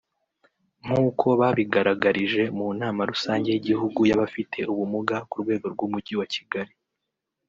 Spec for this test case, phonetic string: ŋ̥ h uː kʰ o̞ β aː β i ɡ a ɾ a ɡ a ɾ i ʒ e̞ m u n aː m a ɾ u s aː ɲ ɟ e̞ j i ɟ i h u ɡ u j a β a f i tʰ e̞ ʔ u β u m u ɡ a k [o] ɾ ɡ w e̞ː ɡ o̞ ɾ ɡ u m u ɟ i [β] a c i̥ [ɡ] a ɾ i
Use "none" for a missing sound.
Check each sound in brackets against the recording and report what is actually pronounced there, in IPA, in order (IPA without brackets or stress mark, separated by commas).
u, w, ɡ